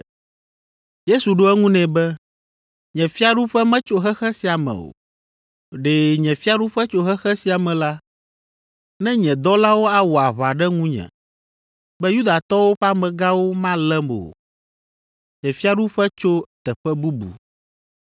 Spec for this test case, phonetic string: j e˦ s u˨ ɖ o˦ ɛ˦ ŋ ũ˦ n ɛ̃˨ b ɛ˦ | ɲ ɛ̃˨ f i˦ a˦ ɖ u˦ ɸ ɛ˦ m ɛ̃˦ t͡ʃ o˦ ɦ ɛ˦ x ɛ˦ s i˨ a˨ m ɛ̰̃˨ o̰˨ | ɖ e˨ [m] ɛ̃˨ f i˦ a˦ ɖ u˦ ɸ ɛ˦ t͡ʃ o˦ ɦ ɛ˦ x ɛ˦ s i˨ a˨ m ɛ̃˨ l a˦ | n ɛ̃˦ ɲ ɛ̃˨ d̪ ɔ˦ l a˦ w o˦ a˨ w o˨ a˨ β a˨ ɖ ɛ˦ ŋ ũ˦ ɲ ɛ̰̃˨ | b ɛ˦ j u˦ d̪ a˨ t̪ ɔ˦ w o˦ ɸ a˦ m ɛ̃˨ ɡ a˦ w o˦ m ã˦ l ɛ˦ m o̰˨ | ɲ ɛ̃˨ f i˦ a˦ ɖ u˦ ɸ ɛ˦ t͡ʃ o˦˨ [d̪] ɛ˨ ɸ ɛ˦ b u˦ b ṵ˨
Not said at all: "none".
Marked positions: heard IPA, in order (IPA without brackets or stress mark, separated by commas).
ɲ, t̪